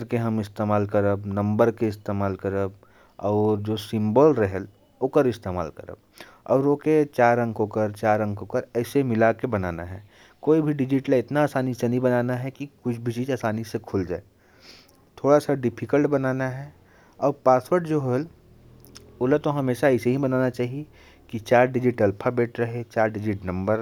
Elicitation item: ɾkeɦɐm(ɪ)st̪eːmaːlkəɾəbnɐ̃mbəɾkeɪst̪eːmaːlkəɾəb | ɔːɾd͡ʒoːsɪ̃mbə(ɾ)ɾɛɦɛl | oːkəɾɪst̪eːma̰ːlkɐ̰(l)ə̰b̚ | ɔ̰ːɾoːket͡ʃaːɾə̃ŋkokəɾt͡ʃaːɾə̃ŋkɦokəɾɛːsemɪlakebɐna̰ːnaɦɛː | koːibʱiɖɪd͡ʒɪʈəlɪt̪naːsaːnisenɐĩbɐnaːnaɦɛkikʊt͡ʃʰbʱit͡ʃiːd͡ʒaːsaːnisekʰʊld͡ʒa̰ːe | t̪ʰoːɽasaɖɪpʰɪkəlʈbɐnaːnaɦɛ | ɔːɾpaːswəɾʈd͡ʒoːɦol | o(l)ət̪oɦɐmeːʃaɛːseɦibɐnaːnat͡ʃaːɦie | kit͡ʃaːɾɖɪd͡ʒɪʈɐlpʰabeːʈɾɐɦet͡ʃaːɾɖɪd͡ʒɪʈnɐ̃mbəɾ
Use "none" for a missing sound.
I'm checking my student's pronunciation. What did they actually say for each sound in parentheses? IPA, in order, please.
ɪ, l, ɾ, l

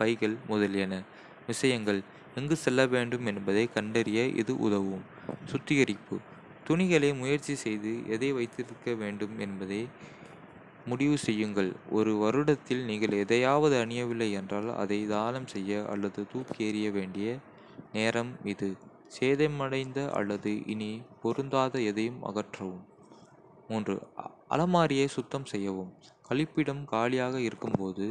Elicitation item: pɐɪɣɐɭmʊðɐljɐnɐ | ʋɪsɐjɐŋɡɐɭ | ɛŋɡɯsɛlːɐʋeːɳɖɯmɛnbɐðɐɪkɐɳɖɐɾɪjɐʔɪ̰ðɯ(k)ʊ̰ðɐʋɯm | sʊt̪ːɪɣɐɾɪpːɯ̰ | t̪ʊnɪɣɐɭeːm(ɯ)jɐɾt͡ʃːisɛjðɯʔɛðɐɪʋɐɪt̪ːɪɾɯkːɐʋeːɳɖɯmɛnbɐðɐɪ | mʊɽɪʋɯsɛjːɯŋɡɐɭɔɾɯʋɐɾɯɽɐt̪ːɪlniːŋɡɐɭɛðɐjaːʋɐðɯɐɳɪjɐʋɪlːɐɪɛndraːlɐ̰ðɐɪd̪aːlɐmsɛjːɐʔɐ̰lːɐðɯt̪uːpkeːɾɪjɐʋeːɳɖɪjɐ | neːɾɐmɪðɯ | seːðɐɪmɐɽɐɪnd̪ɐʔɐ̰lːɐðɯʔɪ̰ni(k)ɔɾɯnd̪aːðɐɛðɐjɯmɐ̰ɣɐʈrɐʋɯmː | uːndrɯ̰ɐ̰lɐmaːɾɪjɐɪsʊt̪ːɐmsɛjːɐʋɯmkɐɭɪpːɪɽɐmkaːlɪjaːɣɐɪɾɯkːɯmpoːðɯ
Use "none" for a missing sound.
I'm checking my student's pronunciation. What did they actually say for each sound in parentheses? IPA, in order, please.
ʔ, ʊ, p

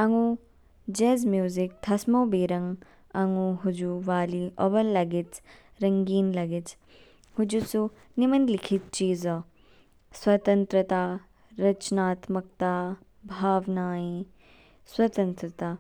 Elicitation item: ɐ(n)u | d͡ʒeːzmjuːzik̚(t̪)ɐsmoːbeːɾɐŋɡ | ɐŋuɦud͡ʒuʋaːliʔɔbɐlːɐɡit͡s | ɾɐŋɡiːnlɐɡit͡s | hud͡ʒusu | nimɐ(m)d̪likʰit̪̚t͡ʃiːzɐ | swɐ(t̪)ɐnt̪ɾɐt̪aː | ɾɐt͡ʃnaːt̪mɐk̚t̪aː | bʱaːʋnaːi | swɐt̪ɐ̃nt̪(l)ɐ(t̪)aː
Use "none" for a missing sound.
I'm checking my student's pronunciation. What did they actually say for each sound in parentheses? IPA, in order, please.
ŋ, t̪ʰ, n, t̪, ɾ, t̪

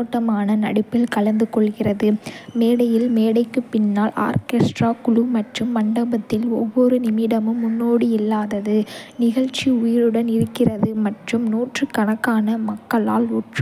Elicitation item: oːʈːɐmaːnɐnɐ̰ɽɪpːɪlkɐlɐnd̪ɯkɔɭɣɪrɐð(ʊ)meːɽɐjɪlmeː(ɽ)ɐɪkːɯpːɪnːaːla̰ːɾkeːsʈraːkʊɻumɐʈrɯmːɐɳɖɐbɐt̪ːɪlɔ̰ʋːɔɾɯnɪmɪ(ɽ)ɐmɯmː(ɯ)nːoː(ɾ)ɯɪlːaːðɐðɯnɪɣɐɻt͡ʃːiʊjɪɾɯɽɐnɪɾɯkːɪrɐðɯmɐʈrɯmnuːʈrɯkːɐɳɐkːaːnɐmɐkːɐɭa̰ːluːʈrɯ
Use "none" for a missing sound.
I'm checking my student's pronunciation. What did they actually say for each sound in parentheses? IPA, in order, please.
ɯ, ɽ, ɽ, ʊ, ɽ

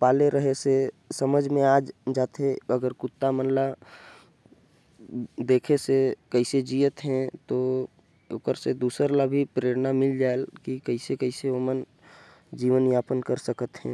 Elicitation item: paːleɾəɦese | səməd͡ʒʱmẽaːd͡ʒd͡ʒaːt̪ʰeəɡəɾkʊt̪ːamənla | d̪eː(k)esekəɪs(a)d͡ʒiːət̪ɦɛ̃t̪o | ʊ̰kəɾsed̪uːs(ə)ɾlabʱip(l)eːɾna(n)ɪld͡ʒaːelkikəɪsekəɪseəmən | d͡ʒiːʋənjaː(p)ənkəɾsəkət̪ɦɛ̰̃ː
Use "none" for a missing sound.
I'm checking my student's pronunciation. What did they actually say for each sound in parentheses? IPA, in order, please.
kʰ, e, ə, ɾ, m, p

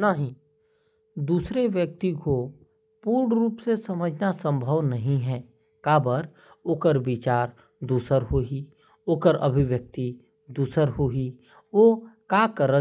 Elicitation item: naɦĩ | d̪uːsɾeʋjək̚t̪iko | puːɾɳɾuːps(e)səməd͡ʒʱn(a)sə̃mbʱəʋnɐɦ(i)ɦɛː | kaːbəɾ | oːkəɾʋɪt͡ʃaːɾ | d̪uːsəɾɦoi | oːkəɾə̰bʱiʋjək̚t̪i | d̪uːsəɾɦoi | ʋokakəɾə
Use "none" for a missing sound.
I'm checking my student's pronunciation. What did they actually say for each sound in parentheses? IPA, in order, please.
e, a, ĩ

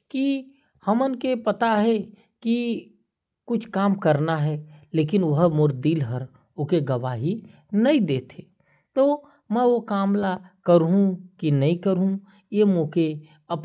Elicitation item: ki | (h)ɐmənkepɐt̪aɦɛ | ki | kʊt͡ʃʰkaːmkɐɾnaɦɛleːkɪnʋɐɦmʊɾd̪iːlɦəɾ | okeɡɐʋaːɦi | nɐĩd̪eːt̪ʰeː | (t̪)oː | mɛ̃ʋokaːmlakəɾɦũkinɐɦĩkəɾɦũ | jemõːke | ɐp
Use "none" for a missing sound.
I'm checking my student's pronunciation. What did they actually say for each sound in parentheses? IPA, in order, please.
h, t̪

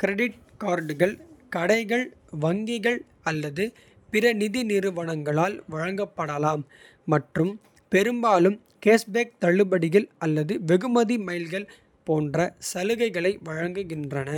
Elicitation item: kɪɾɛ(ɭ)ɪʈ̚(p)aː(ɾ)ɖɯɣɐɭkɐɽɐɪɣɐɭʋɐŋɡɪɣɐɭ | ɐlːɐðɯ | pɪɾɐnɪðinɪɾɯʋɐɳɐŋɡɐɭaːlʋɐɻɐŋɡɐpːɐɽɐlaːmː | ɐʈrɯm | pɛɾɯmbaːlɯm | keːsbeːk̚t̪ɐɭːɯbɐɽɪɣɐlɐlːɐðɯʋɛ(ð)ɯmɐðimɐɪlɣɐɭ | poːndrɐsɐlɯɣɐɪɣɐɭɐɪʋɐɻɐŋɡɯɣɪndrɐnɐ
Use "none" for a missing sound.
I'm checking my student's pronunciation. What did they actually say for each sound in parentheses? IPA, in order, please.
ɽ, k, ɾ, ɣ

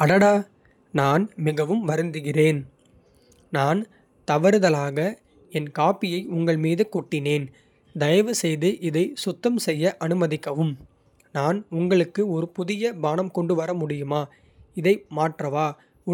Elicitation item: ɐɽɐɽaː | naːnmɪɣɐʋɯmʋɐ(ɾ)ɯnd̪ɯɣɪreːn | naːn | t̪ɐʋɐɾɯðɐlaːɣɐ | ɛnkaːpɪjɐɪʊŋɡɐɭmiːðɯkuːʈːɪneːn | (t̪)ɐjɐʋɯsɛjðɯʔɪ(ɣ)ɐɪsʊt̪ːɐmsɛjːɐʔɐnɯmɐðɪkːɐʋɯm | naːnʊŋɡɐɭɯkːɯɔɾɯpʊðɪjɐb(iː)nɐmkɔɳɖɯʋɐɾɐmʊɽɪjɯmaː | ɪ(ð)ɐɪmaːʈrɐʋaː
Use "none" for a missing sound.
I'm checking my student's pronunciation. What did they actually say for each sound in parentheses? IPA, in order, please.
ɾ, d̪, ð, aː, ð

